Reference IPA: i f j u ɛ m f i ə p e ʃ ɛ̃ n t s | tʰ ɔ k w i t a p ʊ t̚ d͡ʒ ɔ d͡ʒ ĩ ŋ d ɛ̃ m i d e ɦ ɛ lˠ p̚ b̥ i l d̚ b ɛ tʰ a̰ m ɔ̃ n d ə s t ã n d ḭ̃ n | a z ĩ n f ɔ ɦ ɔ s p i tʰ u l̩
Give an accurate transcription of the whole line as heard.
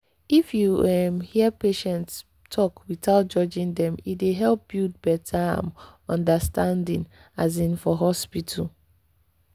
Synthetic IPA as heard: i f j u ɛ m h i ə p e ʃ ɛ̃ n t s | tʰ ɔ k w i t a ʊ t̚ d͡ʒ ɔ d͡ʒ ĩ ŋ d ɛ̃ m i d e ɦ ɛ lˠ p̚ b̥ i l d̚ b ɛ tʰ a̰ m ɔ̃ n d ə s t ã n d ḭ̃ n | a z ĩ n f ɔ ɦ ɔ s p i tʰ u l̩